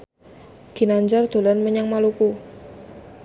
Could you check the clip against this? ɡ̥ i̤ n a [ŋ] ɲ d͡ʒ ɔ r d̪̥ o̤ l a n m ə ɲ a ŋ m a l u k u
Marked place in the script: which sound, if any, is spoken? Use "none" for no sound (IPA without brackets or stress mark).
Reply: none